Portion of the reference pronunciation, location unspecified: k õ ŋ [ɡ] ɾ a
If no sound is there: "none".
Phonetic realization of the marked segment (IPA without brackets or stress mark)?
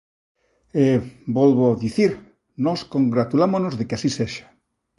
ɡ